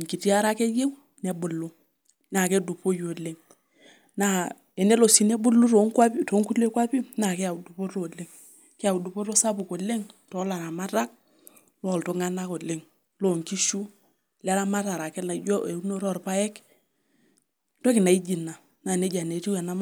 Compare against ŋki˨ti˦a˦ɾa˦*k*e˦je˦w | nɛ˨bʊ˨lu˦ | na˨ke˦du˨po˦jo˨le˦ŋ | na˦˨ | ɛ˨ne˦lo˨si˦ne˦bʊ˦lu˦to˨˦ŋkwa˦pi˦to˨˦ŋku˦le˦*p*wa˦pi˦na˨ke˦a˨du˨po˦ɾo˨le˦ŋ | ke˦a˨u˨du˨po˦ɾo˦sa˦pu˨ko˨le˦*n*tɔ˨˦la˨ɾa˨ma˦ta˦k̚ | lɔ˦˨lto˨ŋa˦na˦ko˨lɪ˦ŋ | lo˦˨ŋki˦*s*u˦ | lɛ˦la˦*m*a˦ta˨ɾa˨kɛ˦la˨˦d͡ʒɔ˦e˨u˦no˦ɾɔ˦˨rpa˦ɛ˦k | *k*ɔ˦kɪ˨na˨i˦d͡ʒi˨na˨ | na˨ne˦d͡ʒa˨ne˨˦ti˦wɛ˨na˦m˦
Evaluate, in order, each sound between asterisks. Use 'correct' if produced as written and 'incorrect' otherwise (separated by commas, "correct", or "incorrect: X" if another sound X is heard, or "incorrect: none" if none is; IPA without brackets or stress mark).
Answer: correct, incorrect: k, incorrect: ŋ, incorrect: ʃ, correct, incorrect: t